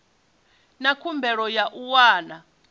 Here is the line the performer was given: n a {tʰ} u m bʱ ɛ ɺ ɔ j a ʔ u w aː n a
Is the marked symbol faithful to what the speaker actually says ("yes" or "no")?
no